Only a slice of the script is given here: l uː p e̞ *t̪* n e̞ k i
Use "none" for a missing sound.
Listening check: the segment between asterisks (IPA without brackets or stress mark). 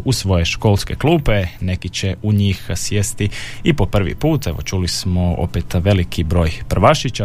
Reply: none